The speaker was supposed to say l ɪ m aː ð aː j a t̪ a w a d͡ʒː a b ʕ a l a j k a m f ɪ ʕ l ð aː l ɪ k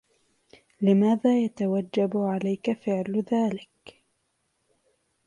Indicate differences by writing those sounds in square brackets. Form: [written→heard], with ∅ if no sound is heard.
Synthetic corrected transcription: l ɪ m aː ð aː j a t̪ a w a d͡ʒː a b ʕ a l a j k a [m→∅] f ɪ ʕ l ð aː l ɪ k

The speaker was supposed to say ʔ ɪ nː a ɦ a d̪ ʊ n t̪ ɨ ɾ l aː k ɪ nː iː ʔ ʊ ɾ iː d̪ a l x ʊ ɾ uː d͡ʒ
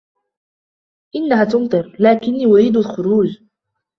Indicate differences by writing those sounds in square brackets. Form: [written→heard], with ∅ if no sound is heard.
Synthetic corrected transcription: ʔ ɪ nː a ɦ a [d̪→t̪] ʊ n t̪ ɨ ɾ l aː k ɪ nː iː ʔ ʊ ɾ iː d̪ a l x ʊ ɾ uː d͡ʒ

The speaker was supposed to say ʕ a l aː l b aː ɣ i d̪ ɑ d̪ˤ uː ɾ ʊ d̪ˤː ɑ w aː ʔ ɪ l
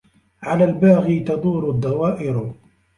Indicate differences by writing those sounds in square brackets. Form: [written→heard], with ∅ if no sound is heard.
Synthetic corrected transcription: ʕ a l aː l b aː ɣ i [d̪→t̪] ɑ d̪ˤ uː ɾ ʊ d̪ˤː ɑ w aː ʔ ɪ [l→ɾ]

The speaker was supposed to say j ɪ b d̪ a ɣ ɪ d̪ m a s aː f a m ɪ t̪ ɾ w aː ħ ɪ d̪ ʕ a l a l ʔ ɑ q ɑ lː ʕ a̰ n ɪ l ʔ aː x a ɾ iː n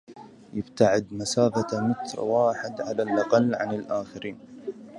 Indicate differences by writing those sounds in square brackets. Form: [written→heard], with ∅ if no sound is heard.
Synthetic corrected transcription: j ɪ b [d̪→t̪] a [ɣ→ʕ] ɪ d̪ m a s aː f a m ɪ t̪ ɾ w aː ħ ɪ d̪ ʕ a l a l ʔ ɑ q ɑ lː ʕ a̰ n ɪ l ʔ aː x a ɾ iː n

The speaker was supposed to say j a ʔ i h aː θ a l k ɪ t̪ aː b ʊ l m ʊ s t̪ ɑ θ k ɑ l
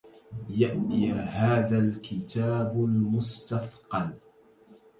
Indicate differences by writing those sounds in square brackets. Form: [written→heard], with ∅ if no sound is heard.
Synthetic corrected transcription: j a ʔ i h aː [θ→ð] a l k ɪ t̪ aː b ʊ l m ʊ s t̪ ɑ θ [k→q] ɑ l

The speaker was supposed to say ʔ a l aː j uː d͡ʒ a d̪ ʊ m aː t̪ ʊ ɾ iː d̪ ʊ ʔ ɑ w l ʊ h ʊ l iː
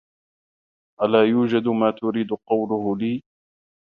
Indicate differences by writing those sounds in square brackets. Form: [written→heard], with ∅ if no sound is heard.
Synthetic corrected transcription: ʔ a l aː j uː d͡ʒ a d̪ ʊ m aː t̪ ʊ ɾ iː d̪ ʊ [ʔ→q] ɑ w l ʊ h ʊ l iː

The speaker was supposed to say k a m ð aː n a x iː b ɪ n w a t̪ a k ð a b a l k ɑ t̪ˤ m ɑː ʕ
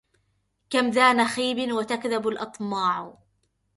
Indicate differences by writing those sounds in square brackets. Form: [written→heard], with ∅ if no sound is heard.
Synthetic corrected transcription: k a m ð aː n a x iː b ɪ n w a t̪ a k ð a b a l [k→ʔ] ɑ t̪ˤ m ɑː ʕ

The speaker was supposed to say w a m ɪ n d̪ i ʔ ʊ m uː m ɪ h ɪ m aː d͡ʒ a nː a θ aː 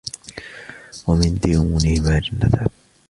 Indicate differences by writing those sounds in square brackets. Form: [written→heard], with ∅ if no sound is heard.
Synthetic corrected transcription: w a m ɪ n d̪ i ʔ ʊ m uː [m→n] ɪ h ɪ m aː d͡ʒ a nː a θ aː

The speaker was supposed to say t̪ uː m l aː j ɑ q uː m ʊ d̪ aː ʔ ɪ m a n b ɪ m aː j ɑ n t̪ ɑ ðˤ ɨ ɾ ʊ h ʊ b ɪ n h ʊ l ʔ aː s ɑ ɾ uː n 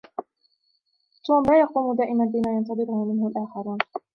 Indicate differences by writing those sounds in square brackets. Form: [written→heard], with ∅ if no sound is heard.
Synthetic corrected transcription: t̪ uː m l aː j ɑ q uː m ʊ d̪ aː ʔ ɪ m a n b ɪ m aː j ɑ n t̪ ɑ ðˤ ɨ ɾ ʊ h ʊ [b→m] ɪ n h ʊ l ʔ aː [s→x] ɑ ɾ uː n

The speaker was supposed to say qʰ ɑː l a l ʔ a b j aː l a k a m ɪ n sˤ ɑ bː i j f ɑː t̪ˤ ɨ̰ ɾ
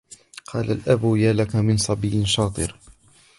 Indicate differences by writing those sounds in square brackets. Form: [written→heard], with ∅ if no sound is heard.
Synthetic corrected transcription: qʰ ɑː l a l ʔ a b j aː l a k a m ɪ n sˤ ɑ [bː→b] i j [f→ʃ] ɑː t̪ˤ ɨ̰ ɾ

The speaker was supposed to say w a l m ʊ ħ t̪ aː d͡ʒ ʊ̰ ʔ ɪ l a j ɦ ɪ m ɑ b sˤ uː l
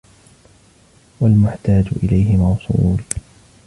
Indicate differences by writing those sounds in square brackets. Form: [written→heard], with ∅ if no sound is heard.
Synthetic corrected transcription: w a l m ʊ ħ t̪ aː d͡ʒ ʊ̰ ʔ ɪ l a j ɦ ɪ m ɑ [b→w] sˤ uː l

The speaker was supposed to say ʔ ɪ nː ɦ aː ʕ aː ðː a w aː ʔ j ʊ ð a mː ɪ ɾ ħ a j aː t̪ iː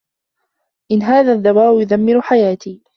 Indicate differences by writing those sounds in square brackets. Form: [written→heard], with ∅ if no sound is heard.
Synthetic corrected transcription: ʔ ɪ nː ɦ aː [ʕ→ð] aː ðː a w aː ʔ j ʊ ð a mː ɪ ɾ ħ a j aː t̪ iː

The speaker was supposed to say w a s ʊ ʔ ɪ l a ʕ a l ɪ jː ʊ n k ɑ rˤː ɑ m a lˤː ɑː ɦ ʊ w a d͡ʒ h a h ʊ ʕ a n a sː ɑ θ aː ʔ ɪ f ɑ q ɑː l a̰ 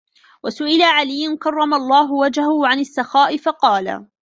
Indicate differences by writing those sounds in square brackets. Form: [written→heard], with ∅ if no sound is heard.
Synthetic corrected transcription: w a s ʊ ʔ ɪ l a ʕ a l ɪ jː ʊ n k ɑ rˤː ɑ m a lˤː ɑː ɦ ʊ w a d͡ʒ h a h ʊ ʕ a n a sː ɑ [θ→x] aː ʔ ɪ f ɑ q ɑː l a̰

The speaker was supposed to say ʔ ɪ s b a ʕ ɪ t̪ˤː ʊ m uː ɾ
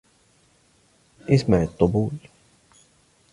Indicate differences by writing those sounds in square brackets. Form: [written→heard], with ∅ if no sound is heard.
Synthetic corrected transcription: ʔ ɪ s [b→m] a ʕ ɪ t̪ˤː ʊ [m→b] uː [ɾ→l]

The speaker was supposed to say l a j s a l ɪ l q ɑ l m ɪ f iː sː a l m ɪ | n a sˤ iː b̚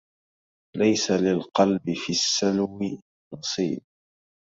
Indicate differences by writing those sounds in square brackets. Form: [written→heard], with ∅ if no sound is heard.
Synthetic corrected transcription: l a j s a l ɪ l q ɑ l [m→b] ɪ f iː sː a l m ɪ | n [a→ɑ] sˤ iː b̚

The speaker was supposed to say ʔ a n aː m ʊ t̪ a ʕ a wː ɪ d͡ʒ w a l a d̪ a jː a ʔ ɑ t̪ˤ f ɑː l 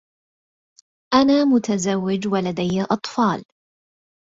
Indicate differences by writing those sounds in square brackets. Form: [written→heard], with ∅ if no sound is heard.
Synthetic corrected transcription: ʔ a n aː m ʊ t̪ a [ʕ→z] a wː ɪ d͡ʒ w a l a d̪ a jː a ʔ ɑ t̪ˤ f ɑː l

